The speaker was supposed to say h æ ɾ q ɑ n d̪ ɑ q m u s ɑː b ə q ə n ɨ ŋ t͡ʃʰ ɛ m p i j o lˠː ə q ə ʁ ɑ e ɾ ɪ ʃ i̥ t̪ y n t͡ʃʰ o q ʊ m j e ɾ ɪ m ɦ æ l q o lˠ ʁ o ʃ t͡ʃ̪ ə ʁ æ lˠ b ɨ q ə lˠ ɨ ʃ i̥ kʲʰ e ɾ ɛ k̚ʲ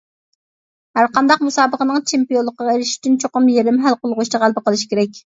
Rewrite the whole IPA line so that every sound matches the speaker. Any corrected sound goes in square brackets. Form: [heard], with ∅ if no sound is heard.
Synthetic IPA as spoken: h æ ɾ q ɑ n d̪ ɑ q m u s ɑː b ə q ə n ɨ ŋ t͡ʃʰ [e] m p i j o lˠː ə q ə ʁ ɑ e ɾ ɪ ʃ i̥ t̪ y n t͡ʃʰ o q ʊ m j e ɾ ɪ m ɦ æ l q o lˠ ʁ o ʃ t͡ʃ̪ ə ʁ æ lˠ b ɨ q ə lˠ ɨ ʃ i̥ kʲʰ e ɾ ɛ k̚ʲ